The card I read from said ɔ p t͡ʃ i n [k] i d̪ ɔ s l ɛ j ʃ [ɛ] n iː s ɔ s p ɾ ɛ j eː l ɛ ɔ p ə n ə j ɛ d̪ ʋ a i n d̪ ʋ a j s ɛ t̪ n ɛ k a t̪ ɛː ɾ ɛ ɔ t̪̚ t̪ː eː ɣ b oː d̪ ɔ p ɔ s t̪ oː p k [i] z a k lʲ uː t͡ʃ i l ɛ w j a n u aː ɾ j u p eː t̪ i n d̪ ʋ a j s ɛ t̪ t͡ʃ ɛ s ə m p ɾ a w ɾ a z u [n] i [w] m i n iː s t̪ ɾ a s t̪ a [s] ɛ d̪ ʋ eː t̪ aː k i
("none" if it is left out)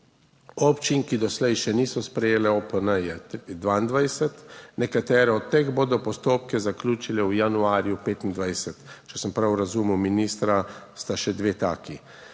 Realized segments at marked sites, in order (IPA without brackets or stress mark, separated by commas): k, ɛ, ɛ, m, w, ʃ